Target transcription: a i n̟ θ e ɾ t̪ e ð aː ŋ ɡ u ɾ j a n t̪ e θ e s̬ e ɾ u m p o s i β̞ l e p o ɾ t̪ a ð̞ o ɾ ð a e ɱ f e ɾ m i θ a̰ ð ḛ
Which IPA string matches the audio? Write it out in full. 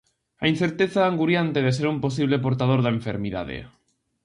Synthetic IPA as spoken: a i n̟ θ e ɾ t̪ e θ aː ŋ ɡ u ɾ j a n t̪ e ð e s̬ e ɾ u m p o s i β̞ l e p o ɾ t̪ a ð̞ o ɾ ð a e ɱ f e ɾ m i ð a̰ ð ḛ